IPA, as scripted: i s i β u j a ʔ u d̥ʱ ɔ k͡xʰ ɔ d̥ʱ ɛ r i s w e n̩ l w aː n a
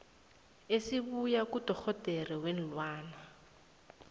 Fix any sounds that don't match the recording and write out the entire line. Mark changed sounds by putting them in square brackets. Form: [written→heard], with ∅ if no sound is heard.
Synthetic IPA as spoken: [i→e] s i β u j a [ʔ→k] u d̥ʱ ɔ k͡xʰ ɔ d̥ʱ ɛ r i [s→∅] w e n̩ l w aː n a